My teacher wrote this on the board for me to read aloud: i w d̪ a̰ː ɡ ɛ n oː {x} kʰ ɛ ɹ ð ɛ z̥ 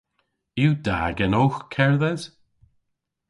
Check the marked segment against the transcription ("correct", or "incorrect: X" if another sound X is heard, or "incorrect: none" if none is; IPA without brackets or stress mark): correct